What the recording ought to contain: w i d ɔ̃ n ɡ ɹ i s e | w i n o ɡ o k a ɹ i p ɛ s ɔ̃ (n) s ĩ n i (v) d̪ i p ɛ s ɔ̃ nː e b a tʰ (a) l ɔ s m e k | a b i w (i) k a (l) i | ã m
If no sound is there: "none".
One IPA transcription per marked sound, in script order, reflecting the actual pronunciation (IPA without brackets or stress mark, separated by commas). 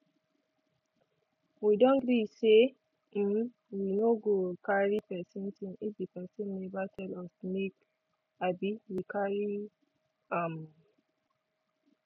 n, f, ɛ, i, ɹ